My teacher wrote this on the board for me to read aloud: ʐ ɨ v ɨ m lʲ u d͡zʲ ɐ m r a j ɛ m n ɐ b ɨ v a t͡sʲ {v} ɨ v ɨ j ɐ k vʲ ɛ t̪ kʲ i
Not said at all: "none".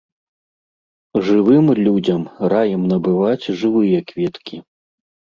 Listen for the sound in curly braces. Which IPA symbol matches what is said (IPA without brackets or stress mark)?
ʐ